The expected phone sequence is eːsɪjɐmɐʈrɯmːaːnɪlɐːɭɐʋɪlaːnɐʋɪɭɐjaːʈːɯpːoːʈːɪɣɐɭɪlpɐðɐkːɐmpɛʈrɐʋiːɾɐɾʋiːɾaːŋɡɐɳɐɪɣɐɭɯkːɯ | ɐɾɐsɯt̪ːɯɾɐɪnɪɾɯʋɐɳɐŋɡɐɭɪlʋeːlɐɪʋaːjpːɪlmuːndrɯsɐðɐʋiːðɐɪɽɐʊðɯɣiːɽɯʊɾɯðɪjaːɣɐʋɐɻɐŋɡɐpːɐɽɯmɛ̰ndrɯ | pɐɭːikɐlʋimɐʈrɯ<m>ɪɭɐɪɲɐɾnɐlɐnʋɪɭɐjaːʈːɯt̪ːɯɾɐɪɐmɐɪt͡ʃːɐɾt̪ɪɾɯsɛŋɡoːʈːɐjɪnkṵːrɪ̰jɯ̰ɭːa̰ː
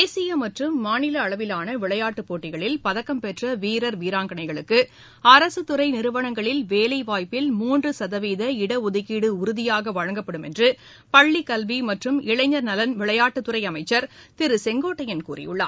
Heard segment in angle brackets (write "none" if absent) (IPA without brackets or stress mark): m